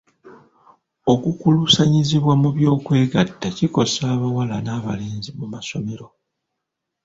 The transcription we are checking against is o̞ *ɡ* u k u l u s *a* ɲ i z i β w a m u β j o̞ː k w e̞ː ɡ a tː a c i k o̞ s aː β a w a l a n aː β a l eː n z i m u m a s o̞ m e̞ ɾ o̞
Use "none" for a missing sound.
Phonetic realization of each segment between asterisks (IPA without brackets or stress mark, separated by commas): k, a